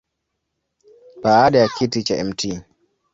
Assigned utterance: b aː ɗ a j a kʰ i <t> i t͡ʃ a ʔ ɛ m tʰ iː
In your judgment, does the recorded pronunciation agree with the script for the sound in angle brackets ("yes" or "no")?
yes